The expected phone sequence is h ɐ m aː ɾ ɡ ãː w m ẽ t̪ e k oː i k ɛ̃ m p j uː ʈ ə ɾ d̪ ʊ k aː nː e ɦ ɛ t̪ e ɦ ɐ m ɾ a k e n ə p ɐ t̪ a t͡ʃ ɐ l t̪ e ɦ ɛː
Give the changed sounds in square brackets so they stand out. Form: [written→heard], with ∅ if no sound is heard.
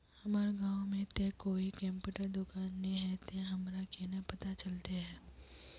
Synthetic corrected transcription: h ɐ m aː ɾ ɡ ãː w m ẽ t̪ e k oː i k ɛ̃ m p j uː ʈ ə ɾ d̪ ʊ k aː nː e ɦ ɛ t̪ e ɦ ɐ m ɾ a k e n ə p ɐ t̪ a t͡ʃ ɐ l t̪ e ɦ ɛː

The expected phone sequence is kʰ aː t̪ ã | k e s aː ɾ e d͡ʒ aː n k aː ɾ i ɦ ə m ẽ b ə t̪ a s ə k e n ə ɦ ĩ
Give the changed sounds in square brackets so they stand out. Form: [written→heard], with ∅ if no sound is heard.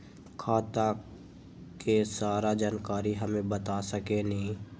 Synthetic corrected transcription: kʰ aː t̪ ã | k e s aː ɾ [e→a] d͡ʒ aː n k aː ɾ i ɦ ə m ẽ b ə t̪ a s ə k e n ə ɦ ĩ

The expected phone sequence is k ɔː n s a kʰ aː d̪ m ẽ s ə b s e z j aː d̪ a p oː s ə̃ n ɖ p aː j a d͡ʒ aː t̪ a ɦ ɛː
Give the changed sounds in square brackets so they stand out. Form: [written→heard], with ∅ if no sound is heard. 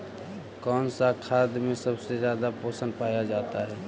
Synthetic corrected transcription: k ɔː n s a kʰ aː d̪ m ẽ s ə b s e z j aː d̪ a p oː s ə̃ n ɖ p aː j a d͡ʒ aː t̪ a ɦ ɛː

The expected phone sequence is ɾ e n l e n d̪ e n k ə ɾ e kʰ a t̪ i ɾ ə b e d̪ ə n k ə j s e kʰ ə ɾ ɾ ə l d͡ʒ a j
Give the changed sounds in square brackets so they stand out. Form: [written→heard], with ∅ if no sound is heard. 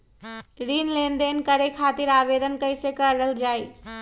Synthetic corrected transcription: ɾ [e→i] n l e n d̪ e n k ə ɾ e kʰ a t̪ i ɾ [ə→a] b e d̪ ə n k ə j s e [kʰ→k] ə ɾ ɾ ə l d͡ʒ a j

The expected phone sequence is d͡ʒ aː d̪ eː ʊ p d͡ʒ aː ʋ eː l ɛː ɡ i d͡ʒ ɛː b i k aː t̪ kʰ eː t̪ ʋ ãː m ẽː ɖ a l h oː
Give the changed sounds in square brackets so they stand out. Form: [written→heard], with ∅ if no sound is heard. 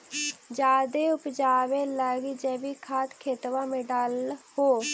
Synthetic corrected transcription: d͡ʒ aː d̪ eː ʊ p d͡ʒ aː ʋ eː l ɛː ɡ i d͡ʒ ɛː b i [k→kʰ] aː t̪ kʰ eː t̪ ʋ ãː m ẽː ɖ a l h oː

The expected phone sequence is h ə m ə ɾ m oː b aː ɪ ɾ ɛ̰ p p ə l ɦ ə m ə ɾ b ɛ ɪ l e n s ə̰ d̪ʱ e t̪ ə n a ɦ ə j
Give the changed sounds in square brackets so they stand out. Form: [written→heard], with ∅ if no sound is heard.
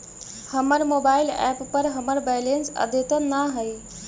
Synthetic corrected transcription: h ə m ə ɾ m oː b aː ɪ [ɾ→l] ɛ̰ p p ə [l→ɾ] ɦ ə m ə ɾ b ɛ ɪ l e n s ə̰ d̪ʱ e t̪ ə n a ɦ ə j

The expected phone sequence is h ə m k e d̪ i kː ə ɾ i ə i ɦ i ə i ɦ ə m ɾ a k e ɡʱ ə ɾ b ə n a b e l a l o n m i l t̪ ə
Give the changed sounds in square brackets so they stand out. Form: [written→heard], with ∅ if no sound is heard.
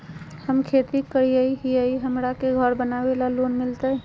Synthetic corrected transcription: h ə m [k→kʰ] e [d̪→t̪] i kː ə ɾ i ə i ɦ i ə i ɦ ə m ɾ a k e ɡʱ ə ɾ b ə n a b e l a l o n m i l t̪ ə

